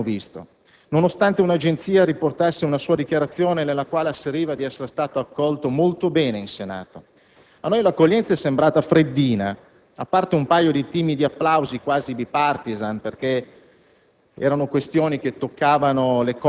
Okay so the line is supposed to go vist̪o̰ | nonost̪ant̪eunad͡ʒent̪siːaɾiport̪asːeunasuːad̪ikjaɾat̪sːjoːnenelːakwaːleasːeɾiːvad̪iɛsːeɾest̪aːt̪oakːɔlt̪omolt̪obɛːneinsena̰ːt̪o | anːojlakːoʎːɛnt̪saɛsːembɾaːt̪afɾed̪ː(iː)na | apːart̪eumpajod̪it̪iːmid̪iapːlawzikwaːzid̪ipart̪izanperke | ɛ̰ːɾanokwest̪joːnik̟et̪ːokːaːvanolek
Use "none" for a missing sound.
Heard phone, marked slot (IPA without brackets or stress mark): iː